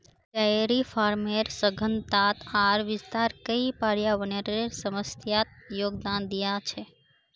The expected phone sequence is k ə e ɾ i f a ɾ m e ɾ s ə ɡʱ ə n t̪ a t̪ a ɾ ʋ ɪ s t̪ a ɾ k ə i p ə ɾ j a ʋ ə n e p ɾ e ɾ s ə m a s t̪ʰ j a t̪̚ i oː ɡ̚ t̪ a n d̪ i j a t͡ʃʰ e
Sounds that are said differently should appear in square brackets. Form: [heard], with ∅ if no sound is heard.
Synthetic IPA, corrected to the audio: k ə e ɾ i f a ɾ m e ɾ s ə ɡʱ ə n t̪ a t̪ a ɾ ʋ ɪ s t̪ a ɾ k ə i p [a] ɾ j a ʋ ə n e [∅] ɾ e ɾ s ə m [ə] s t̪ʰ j a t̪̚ [j] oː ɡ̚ [d̪] a n d̪ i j a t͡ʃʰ e